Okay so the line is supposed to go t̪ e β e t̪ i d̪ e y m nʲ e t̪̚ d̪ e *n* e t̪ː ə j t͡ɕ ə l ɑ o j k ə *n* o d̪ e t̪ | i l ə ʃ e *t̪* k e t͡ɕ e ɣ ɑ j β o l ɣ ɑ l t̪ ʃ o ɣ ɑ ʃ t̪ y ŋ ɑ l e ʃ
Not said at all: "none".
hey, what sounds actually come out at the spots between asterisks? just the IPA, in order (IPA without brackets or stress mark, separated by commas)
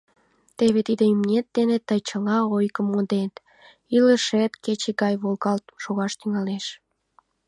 n, m, t̪